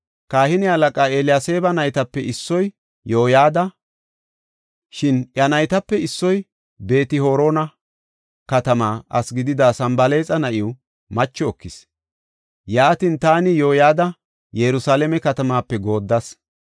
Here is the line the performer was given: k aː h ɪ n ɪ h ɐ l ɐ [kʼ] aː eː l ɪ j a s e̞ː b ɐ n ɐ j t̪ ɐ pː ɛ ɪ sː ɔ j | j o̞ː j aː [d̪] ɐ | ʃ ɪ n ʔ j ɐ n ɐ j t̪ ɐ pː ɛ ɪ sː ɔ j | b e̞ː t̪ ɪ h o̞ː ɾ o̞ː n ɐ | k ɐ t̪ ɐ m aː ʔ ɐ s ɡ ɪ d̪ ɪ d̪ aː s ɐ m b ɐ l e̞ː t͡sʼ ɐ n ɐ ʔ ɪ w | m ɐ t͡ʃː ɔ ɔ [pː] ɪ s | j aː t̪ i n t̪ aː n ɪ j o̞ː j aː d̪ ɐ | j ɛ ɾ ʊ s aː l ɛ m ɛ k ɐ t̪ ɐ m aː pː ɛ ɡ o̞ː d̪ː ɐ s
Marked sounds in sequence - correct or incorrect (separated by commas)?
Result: correct, correct, incorrect